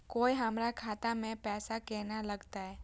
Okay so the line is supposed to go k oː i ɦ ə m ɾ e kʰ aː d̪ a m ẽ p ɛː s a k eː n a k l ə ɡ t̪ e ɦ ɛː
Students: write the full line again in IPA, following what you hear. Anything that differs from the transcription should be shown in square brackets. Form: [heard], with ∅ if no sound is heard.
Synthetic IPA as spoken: k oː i ɦ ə m ɾ [a] kʰ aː [t̪] a m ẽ p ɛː s a k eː n a [∅] l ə ɡ t̪ [a] ɦ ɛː